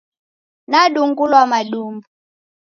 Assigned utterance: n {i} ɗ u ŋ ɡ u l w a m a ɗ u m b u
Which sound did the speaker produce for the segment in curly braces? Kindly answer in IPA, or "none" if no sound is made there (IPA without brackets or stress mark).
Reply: a